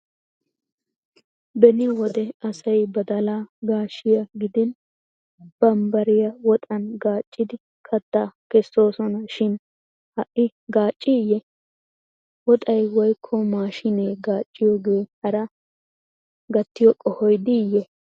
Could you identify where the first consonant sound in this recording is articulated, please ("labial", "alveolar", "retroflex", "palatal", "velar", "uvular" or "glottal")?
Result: labial